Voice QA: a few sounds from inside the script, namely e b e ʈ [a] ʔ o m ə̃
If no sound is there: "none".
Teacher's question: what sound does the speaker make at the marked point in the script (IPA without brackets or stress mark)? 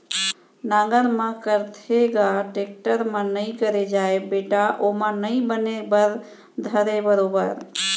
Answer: a